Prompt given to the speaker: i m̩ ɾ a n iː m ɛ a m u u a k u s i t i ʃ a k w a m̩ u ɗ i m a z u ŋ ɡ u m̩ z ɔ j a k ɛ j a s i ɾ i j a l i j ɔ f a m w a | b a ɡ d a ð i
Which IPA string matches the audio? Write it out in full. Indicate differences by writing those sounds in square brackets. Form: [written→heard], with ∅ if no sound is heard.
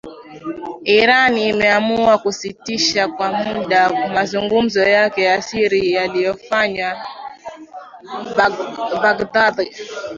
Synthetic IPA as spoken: i [m̩→∅] ɾ a n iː m ɛ a m u u a k u s i t i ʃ a k w a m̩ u ɗ [i→a] m a z u ŋ ɡ u m̩ z ɔ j a k ɛ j a s i ɾ i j a l i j ɔ f a [m→ɲ] w a | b a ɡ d a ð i